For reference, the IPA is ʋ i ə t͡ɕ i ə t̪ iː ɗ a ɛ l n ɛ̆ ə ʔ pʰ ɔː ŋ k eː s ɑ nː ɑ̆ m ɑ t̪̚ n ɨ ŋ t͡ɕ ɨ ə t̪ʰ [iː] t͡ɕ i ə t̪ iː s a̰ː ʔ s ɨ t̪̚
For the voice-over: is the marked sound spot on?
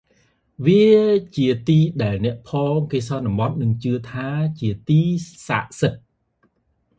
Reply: no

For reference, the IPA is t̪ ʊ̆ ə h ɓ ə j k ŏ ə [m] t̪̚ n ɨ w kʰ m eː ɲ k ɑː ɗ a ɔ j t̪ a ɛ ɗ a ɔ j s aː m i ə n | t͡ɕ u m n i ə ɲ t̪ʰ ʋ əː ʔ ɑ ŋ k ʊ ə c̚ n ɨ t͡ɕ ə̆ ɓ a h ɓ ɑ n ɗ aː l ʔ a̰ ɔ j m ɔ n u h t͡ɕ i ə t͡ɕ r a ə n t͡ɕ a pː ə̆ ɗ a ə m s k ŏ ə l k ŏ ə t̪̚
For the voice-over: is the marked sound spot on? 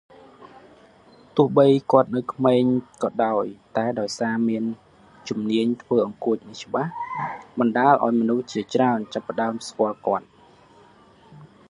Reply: no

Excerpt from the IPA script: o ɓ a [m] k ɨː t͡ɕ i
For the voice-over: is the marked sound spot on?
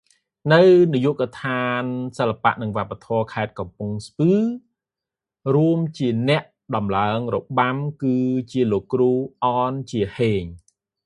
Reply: yes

